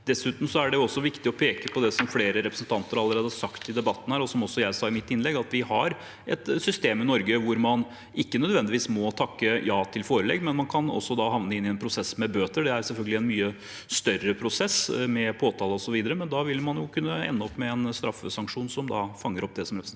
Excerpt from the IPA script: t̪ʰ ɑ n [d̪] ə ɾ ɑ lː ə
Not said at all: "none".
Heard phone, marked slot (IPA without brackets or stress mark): t̪